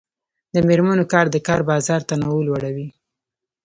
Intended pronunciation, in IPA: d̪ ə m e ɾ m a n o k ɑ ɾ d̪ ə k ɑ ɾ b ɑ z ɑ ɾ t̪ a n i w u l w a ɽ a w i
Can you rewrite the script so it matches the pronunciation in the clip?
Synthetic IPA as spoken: d̪ ə m e ɾ m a n o k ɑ ɾ d̪ ə k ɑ ɾ b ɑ z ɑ ɾ t̪ a n a w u l w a ɽ a w i